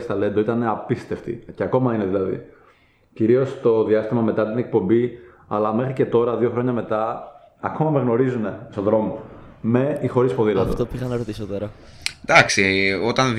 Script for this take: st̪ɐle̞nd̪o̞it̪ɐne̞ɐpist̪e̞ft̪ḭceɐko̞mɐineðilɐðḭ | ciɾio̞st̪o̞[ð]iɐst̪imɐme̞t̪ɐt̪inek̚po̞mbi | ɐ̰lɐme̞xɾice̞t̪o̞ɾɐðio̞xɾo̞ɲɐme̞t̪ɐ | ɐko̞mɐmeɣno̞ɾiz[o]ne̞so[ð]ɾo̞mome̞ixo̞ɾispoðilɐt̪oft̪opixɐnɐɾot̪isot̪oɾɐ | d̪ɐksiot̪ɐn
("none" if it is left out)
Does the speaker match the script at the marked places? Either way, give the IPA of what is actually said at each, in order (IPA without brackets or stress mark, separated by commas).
ð, u, ð